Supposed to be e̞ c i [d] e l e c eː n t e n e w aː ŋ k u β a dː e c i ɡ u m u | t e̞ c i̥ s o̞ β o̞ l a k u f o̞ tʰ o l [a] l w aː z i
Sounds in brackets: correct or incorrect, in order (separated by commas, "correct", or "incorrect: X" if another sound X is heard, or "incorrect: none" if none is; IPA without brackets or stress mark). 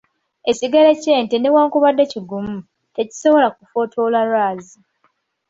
incorrect: ɡ, correct